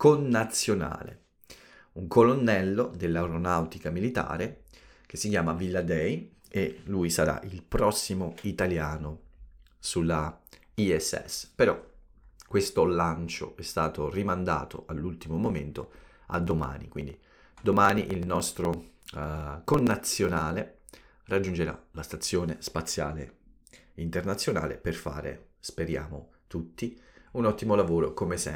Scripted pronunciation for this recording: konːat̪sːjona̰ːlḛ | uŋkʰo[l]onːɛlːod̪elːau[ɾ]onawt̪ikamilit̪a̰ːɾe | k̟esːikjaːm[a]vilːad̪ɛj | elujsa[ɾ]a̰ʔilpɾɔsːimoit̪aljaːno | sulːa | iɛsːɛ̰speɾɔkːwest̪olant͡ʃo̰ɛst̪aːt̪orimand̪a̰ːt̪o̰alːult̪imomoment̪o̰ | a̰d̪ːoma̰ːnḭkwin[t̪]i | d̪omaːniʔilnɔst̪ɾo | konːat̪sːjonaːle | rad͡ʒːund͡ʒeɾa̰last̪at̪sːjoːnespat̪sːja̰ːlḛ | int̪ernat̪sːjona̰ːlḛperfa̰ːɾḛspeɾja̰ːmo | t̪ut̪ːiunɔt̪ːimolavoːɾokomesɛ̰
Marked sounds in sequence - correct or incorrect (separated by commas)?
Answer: correct, correct, correct, correct, incorrect